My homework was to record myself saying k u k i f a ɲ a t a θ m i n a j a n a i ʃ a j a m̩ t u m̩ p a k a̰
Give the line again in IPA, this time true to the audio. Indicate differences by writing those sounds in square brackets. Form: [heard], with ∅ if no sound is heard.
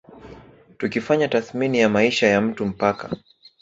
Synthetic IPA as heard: [t] u k i f a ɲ a t a θ m i n [i] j a [m] a i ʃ a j a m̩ t u m̩ p a k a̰

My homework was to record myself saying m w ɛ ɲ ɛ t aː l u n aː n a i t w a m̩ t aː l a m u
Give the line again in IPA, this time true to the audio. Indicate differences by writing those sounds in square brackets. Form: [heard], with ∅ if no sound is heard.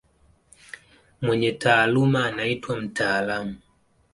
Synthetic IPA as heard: m w ɛ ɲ ɛ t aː l u [m] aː n a i t w a m̩ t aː l a m u

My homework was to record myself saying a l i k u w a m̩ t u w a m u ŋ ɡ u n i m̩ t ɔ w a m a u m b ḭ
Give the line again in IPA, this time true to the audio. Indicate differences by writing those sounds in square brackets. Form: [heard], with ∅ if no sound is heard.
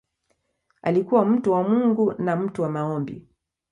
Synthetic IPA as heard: a l i k u w a m̩ t u w a m u ŋ ɡ u n [a] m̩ t [u] w a m a [ɔ] m b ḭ

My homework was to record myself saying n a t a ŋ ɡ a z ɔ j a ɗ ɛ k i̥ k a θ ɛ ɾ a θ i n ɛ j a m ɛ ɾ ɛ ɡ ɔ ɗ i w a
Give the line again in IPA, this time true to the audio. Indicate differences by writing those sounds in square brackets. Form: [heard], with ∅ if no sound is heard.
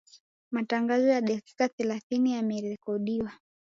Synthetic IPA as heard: [m] a t a ŋ ɡ a z ɔ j a ɗ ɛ k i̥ k a θ ɛ [l] a θ i n [i] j a m ɛ ɾ ɛ [k] ɔ ɗ i w a

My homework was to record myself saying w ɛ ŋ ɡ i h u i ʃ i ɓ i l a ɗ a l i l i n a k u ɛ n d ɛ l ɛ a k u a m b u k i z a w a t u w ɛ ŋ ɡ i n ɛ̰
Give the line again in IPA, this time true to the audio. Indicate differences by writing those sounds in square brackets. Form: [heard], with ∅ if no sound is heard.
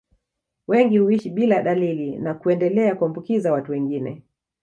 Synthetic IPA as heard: w ɛ ŋ ɡ i h u i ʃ i ɓ i l a ɗ a l i l i n a k u ɛ n d ɛ l ɛ a k u a m b u k i z a w a t u w ɛ ŋ ɡ i n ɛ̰

